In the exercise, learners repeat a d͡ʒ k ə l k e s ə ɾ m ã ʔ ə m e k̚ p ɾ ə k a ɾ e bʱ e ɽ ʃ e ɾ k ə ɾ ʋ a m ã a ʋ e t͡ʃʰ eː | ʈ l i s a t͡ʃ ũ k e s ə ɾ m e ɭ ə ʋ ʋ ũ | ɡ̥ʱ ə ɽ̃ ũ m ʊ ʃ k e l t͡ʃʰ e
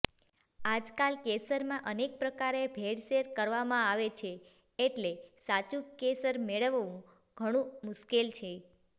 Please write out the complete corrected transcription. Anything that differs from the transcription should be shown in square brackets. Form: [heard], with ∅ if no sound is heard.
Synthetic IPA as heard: a d͡ʒ k [a] l k e s ə ɾ m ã ʔ ə [n] e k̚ p ɾ ə k a ɾ e bʱ e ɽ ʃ e ɾ k ə ɾ ʋ a m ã a ʋ e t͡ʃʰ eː | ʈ l [e] s a t͡ʃ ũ k e s ə ɾ m e ɭ ə ʋ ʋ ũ | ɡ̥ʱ ə ɽ̃ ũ m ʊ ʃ k e l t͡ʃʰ e